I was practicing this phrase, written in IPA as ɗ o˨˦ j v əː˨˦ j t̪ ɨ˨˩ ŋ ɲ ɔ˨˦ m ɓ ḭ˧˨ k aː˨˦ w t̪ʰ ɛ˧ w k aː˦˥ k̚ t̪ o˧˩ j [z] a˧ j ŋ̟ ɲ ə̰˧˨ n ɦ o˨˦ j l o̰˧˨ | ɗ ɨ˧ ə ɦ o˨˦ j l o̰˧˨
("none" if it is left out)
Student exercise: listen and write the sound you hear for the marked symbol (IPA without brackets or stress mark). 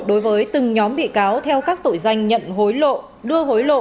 z